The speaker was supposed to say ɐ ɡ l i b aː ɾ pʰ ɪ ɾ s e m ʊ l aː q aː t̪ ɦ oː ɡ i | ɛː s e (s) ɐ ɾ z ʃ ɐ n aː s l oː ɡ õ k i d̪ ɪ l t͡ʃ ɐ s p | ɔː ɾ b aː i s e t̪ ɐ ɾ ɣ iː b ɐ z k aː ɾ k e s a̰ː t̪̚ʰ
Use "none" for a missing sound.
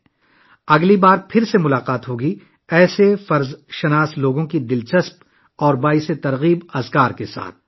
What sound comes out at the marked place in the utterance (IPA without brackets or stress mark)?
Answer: f